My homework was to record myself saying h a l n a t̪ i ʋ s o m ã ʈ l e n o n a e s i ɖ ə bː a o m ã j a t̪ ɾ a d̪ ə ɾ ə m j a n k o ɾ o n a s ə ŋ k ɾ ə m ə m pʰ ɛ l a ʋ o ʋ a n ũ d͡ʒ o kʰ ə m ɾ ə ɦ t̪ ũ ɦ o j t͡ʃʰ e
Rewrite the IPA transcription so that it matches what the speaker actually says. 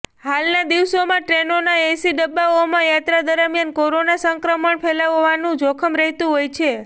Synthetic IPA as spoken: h a l n a d̪ i ʋ s o m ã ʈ ɾ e n o n a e s i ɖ ə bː a o m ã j a t̪ ɾ a d̪ ə ɾ ə m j a n k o ɾ o n a s ə ŋ k ɾ ə m ə ɳ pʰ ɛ l a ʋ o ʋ a n ũ d͡ʒ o kʰ ə m ɾ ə ɦ t̪ ũ ɦ o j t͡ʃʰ e